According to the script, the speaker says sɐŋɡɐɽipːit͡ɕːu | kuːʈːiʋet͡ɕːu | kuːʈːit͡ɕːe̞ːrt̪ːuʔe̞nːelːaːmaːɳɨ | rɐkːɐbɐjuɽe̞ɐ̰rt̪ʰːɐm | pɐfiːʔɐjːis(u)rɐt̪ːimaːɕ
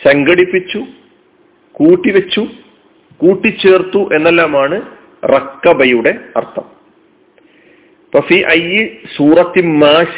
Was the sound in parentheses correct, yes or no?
no